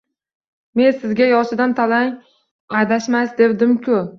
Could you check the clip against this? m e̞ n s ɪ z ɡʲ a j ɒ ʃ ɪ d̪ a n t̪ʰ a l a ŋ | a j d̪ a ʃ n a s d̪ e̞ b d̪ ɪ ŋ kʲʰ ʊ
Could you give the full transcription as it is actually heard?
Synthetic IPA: m e̞ n s ɪ z ɡʲ a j ɒ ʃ ɪ d̪ a n t̪ʰ a l a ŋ | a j d̪ a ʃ m a s d̪ e̞ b d̪ ɪ m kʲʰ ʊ

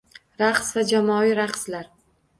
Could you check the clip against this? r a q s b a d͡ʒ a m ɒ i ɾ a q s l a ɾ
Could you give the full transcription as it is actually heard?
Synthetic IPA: ɾ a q s v a d͡ʒ a m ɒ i ɾ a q s l a ɾ

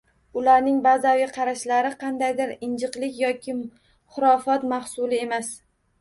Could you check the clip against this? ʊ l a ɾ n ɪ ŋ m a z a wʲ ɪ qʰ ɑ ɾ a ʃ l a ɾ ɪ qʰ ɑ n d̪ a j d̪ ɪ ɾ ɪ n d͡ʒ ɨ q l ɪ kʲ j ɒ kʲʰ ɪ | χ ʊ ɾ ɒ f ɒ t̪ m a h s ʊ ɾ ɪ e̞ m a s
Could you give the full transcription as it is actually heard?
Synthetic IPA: ʊ l a ɾ n ɪ ŋ b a z a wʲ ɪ qʰ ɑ ɾ a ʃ l a ɾ ɪ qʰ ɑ n d̪ a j d̪ ɪ ɾ ɪ n d͡ʒ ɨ q l ɪ kʲ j ɒ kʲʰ ɪ | χ ʊ ɾ ɒ f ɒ t̪ m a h s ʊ l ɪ e̞ m a s

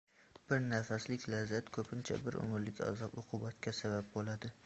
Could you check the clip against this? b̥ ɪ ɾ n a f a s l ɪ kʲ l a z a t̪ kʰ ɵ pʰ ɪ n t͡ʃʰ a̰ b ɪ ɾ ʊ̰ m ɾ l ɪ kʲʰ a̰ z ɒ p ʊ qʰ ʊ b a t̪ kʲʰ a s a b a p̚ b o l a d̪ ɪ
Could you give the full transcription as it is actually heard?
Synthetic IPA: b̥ ɪ ɾ n a f a s l ɪ kʲ l a z a t̪ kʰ ɵ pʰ ɪ n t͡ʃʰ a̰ b ɪ ɾ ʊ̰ m ɾ l ɪ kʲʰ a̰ z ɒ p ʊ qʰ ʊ b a t̪ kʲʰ a s a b a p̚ b o l a d̪ ɪ

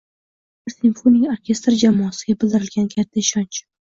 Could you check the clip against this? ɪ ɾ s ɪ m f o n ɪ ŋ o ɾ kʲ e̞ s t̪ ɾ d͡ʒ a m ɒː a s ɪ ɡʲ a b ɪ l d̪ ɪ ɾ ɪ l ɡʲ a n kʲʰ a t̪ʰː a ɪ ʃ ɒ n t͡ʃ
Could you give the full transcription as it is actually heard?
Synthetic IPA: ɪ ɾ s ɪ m f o n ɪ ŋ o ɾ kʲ e̞ s t̪ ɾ d͡ʒ a m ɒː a s ɪ ɡʲ a b ɪ l d̪ ɪ ɾ ɪ l ɡʲ a n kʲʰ a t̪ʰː a ɪ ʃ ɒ n t͡ʃ

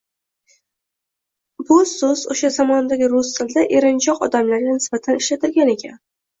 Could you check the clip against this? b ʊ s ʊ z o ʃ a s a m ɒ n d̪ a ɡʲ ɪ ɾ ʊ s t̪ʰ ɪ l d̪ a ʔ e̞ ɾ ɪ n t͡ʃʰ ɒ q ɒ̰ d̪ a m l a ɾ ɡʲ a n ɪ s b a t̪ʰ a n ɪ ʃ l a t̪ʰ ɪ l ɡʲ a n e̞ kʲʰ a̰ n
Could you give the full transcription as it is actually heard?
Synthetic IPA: b ʊ s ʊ z o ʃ a z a m ɒ n d̪ a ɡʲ ɪ ɾ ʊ s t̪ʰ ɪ l d̪ a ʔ e̞ ɾ ɪ n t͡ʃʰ ɒ q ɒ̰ d̪ a m l a ɾ ɡʲ a n ɪ s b a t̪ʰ a n ɪ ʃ l a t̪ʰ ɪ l ɡʲ a n e̞ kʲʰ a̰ n

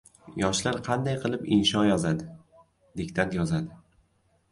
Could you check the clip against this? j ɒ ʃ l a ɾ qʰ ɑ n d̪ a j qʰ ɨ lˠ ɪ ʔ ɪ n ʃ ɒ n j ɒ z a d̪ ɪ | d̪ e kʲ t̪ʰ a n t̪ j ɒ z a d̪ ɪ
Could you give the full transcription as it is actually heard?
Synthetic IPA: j ɒ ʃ l a ɾ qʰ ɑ n d̪ a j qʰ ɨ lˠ ɪ p ɪ n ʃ ɒ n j ɒ z a d̪ ɪ | d̪ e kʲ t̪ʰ a n t̪ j ɒ z a d̪ ɪ

